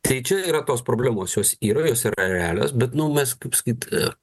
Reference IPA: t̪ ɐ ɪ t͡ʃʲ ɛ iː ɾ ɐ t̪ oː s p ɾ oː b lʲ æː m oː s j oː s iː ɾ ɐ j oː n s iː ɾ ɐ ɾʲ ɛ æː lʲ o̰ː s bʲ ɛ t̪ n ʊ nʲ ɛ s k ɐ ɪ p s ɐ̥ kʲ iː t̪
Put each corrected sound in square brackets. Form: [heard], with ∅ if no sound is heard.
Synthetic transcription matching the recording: t̪ ɐ ɪ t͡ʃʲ ɛ iː ɾ ɐ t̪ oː s p ɾ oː b lʲ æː m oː s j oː s iː ɾ ɐ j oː [∅] s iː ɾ ɐ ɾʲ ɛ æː lʲ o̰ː s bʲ ɛ t̪ n ʊ [mʲ] ɛ s k ɐ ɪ p s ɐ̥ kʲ iː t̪